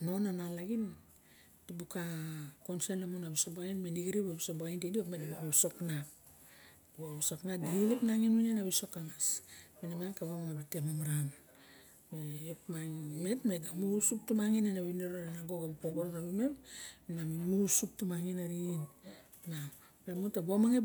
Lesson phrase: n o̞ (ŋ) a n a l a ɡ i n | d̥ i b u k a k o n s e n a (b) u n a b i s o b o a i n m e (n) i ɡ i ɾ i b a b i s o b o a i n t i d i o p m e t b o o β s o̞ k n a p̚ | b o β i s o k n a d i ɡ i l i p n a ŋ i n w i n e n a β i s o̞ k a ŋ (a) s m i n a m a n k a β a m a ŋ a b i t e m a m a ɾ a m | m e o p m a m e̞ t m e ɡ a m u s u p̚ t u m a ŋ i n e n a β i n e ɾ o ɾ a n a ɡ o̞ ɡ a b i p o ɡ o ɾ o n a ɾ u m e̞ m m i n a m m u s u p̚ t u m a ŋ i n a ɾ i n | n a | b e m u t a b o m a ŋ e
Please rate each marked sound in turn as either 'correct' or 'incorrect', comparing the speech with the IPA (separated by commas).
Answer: incorrect, incorrect, correct, correct